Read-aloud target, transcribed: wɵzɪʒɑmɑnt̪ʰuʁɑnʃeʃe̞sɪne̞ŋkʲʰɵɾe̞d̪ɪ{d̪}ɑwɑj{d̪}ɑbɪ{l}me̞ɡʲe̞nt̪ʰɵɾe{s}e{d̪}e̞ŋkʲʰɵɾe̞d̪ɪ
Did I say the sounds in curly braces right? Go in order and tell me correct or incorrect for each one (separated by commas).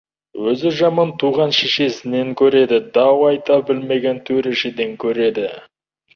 correct, incorrect, correct, incorrect, correct